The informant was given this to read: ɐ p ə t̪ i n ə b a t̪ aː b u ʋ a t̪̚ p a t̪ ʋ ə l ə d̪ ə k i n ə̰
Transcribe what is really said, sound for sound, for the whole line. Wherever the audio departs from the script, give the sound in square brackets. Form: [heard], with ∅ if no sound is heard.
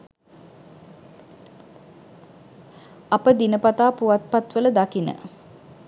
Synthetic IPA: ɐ p ə [d̪] i n ə [p] a t̪ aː [p] u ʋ a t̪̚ p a t̪ ʋ ə l ə d̪ [a] k i n ə̰